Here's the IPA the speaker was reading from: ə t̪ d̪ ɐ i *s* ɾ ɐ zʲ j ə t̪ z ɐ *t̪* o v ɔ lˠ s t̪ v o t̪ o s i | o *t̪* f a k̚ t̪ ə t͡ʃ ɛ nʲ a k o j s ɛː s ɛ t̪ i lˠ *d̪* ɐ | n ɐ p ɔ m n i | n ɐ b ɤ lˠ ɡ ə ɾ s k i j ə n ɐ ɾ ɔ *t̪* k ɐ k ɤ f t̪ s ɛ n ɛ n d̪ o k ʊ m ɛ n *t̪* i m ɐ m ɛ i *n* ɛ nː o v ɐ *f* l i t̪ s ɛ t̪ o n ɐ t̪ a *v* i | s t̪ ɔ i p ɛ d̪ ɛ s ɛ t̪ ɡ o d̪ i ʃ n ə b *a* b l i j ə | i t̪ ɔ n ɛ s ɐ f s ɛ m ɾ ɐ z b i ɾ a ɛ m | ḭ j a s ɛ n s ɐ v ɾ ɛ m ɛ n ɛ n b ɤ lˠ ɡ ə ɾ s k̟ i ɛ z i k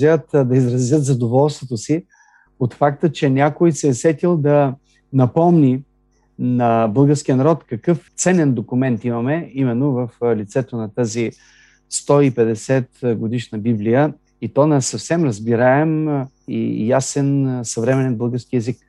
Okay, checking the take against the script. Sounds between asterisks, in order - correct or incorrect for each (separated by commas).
incorrect, incorrect, correct, correct, correct, correct, incorrect, correct, incorrect, incorrect